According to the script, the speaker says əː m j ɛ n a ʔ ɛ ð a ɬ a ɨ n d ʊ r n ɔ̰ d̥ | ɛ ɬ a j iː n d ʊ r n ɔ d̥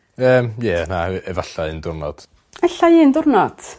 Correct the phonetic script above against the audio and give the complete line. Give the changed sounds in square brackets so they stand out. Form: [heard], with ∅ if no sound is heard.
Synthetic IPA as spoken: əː m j ɛ n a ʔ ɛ [v] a ɬ a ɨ n d ʊ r n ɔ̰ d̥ | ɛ ɬ a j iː n d ʊ r n ɔ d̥

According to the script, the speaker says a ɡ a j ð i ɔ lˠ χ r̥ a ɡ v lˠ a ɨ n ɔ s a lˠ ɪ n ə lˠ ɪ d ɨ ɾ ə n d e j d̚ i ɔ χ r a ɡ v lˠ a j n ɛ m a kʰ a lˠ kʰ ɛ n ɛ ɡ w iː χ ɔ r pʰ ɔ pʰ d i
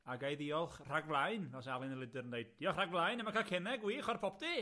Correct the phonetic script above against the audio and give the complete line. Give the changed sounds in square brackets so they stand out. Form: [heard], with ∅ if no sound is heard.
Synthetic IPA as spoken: a ɡ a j ð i ɔ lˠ χ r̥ a ɡ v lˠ a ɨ n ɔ s a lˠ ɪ n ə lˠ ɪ d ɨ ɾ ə n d e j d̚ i ɔ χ r a ɡ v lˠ a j n ɛ m a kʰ a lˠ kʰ ɛ n ɛ ɡ w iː χ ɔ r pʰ ɔ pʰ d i

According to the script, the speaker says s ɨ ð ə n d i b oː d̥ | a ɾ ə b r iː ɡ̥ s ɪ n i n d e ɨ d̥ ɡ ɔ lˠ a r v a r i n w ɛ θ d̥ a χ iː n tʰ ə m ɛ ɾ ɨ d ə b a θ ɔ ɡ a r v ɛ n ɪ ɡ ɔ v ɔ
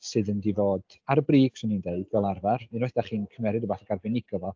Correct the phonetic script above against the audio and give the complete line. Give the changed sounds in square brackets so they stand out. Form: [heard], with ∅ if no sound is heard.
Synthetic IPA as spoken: s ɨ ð ə n d i [v] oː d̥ | a ɾ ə b r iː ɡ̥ s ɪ n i n d e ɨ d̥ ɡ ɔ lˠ a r v a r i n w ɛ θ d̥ a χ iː n [kʰ] ə m ɛ ɾ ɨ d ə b a θ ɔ ɡ a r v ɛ n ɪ ɡ ɔ v ɔ

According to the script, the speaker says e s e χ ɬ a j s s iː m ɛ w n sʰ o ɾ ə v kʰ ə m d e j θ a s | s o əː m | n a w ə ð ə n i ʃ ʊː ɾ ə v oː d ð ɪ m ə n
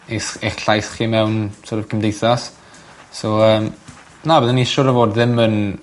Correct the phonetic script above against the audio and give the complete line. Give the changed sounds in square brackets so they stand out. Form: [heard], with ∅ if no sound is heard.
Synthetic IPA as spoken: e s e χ ɬ a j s [χ] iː m ɛ w n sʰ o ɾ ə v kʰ ə m d e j θ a s | s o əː m | n a [b] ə ð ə n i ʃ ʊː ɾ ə v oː d ð ɪ m ə n

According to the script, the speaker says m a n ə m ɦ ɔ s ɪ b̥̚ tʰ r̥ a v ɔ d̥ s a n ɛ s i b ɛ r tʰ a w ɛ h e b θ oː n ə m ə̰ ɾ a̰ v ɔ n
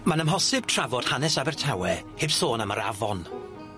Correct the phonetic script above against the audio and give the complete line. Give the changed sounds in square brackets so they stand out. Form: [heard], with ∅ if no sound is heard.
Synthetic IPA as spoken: m a n ə m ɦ ɔ s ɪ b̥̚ tʰ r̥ a v ɔ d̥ [h] a n ɛ s [a] b ɛ r tʰ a w ɛ h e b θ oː n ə m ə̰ ɾ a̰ v ɔ n

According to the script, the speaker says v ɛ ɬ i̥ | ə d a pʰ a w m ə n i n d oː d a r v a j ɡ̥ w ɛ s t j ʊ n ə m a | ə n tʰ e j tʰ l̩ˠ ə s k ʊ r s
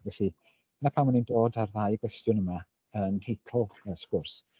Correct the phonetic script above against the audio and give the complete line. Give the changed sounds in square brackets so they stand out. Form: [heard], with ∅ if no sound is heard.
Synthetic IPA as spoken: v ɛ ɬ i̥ | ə [n] a pʰ a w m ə n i n d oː d a r [ð] a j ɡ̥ w ɛ s t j ʊ n ə m a | ə n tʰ e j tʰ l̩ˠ ə s k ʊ r s

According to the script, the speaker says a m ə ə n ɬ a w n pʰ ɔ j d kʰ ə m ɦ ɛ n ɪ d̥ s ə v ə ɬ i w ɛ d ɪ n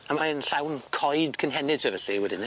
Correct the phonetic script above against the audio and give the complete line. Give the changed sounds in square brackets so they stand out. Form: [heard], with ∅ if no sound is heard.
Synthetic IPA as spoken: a m [a] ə n ɬ a w n [kʰ] ɔ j d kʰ ə [n] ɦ ɛ n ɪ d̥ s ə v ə ɬ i w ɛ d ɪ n

